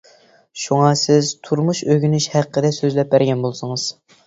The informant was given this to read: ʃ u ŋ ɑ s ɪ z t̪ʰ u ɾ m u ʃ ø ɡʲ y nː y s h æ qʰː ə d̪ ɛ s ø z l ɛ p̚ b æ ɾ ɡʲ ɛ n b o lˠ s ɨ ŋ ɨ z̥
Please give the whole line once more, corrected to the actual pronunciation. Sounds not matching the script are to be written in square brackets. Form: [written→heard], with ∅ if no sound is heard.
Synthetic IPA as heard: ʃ u ŋ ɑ s ɪ z t̪ʰ u ɾ m u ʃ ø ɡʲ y [nː→n] y [s→ʃ] h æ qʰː ə d̪ ɛ s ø z l ɛ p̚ b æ ɾ ɡʲ ɛ n b o lˠ s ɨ ŋ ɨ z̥